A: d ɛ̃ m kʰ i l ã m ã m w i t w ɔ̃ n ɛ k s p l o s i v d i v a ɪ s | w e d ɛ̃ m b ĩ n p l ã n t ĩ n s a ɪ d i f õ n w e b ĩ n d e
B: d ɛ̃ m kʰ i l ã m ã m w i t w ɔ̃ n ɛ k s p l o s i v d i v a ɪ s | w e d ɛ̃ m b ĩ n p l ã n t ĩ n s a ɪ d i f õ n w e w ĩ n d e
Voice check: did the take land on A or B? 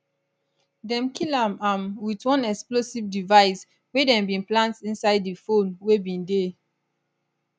A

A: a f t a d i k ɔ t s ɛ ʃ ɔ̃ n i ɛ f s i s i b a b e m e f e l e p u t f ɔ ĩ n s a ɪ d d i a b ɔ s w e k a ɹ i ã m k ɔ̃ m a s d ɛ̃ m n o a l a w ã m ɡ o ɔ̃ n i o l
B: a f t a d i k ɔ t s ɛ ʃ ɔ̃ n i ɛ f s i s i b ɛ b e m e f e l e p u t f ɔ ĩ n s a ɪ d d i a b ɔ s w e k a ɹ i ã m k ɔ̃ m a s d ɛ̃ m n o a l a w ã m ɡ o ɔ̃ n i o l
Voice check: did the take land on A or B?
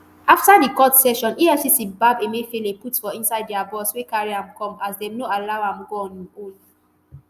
A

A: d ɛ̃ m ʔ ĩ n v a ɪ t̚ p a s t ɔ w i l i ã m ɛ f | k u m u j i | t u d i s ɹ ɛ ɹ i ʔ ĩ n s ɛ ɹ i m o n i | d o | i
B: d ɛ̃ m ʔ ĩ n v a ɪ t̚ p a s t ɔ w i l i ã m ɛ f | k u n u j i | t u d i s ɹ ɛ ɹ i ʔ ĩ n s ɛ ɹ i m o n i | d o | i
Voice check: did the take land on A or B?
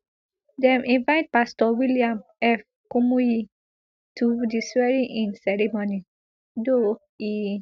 A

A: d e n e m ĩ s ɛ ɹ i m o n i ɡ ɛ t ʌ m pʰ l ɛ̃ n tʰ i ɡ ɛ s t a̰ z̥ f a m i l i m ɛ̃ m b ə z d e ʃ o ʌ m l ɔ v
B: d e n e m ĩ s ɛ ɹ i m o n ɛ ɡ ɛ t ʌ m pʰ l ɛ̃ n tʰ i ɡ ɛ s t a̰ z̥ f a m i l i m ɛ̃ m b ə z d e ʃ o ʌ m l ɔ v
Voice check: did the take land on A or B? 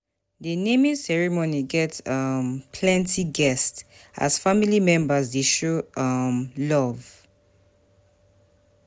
A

